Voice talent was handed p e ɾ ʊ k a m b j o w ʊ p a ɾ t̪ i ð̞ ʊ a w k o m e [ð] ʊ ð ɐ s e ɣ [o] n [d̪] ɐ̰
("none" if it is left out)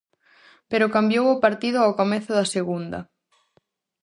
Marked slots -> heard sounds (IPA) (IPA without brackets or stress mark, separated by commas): θ, u, d̪